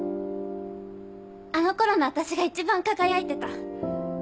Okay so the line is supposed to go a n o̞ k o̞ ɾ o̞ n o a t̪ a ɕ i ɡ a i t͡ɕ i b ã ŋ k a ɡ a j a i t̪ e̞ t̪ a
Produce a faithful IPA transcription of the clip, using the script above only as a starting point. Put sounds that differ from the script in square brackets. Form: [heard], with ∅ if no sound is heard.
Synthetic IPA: a n o̞ k o̞ ɾ o̞ n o a t̪ a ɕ i ɡ a i t͡ɕ i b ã ŋ k a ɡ a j a i t̪ e̞ t̪ a